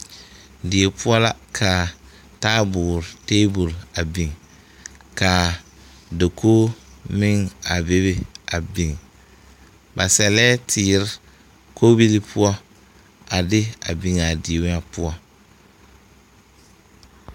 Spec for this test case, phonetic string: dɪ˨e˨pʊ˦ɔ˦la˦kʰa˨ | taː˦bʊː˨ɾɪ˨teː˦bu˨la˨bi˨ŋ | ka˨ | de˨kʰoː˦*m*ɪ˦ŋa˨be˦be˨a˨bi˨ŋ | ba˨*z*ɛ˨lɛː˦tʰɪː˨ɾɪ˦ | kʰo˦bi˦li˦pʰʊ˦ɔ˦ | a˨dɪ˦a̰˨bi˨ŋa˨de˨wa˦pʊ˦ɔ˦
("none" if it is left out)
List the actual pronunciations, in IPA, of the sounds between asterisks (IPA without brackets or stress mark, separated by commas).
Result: m, s